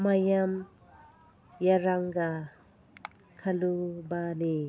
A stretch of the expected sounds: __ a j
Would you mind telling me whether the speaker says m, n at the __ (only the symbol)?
m